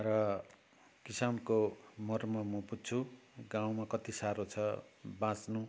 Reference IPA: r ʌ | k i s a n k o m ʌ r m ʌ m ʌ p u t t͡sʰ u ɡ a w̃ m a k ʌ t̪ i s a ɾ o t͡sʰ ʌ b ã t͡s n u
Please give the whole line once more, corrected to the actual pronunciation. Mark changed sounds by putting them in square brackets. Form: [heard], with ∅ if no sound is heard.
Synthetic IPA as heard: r ʌ | k i s a n k o m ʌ r m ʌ m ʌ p u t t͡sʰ u ɡ a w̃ m a k ʌ t̪ i s a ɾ o t͡sʰ ʌ b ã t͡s n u